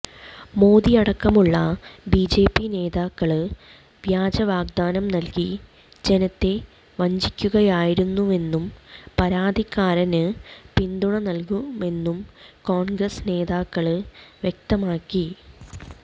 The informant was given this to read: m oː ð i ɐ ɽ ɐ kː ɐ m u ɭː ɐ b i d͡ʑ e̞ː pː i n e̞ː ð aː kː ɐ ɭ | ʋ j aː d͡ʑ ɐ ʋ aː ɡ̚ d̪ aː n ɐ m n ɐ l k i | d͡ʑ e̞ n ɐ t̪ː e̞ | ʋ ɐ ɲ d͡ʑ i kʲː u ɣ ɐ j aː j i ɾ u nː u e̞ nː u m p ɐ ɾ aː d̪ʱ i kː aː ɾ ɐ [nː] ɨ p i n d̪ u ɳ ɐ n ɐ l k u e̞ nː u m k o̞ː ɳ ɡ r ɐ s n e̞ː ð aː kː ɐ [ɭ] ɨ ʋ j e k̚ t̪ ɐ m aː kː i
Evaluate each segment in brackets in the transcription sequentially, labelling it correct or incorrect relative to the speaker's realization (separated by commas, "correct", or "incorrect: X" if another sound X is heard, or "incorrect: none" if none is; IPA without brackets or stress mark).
incorrect: n, correct